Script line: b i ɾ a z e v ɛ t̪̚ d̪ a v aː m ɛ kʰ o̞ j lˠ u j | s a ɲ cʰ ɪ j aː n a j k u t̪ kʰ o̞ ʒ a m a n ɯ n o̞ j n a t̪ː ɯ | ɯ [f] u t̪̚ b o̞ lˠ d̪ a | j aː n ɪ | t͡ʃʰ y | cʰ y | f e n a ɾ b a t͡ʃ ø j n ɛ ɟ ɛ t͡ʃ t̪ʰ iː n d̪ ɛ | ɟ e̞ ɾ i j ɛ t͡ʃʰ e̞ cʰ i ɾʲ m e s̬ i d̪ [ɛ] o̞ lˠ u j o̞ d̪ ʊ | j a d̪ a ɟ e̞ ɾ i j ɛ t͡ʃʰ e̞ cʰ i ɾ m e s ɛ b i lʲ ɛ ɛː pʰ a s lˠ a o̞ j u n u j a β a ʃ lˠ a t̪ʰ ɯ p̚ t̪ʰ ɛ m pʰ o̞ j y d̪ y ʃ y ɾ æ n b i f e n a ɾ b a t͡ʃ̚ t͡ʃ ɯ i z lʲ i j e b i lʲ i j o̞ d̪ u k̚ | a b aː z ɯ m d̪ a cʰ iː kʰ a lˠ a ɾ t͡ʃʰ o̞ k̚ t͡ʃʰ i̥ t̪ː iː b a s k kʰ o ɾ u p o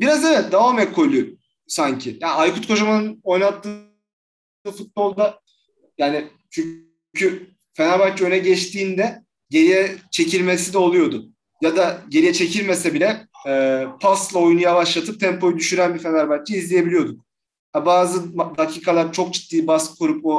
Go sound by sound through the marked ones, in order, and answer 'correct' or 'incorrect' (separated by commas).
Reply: correct, correct